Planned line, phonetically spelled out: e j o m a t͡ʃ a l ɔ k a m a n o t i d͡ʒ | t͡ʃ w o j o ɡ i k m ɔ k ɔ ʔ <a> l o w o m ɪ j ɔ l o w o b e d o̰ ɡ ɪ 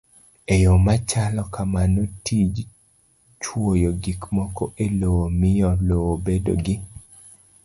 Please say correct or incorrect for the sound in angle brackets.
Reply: incorrect